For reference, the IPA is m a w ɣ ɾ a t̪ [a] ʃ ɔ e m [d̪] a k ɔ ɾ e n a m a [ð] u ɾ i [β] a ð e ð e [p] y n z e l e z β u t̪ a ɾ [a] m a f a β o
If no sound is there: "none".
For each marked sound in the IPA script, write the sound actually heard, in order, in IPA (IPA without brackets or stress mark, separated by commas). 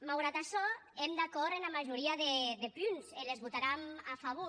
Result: a, d̪, ʒ, none, p, a